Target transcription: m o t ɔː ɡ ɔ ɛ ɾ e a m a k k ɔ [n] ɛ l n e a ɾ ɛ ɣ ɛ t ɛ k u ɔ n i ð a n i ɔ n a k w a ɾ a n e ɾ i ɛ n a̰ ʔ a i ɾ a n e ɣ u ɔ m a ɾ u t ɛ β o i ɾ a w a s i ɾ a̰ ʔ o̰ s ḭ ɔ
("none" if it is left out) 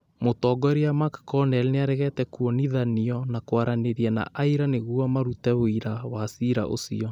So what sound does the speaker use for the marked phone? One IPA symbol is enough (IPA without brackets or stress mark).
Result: n